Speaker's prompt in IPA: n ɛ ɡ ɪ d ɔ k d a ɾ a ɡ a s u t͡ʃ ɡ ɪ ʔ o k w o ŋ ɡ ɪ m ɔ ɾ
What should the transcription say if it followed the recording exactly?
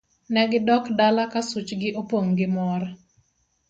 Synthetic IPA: n ɛ ɡ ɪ d ɔ k d a l a k a s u t͡ʃ ɡ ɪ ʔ o p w o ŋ ɡ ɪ m ɔ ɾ